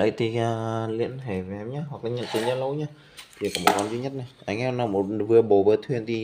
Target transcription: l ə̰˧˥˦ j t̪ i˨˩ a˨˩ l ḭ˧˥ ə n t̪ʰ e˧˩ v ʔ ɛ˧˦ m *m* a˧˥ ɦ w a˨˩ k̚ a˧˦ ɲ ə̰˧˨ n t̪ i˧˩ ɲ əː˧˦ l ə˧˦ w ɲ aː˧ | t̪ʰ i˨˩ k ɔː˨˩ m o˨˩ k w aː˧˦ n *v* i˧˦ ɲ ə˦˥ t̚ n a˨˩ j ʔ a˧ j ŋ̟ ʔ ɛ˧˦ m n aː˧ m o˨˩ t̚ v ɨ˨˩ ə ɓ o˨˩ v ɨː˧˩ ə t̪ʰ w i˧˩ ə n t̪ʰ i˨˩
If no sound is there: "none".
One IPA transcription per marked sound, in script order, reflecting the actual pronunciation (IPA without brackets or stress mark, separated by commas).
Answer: ɲ, z